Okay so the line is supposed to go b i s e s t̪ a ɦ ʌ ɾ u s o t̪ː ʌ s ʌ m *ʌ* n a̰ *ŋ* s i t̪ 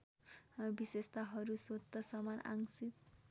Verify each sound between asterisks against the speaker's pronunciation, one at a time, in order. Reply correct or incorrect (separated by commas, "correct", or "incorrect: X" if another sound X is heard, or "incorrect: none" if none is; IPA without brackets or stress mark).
incorrect: a, correct